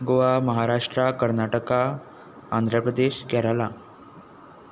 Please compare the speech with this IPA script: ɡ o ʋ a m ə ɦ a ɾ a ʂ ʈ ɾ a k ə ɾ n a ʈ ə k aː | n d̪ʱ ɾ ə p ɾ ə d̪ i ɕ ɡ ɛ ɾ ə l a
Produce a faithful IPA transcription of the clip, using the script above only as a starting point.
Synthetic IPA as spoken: ɡ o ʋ a m ə ɦ a ɾ a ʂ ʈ ɾ a k ə ɾ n a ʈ ə k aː | n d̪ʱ ɾ ə p ɾ ə d̪ e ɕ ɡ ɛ ɾ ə l a